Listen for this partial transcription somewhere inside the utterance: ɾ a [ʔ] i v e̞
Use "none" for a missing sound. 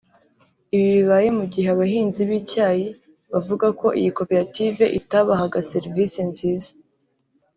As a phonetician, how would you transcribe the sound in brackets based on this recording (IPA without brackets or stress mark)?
t